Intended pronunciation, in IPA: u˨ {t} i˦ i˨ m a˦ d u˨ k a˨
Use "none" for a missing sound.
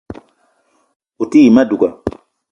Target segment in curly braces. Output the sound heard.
t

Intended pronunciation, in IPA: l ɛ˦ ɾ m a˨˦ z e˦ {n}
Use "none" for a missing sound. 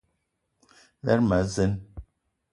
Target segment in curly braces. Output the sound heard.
n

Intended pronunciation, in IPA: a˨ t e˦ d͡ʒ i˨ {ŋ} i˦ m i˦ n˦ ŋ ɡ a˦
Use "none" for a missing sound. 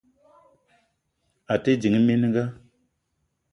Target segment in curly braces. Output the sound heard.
ŋ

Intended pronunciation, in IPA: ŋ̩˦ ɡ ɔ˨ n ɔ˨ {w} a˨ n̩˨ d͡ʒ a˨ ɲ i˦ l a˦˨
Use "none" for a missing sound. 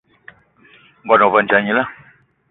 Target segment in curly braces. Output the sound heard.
v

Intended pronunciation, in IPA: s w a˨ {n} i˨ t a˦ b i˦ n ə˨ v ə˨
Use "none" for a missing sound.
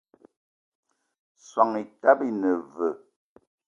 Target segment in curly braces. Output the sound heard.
ŋ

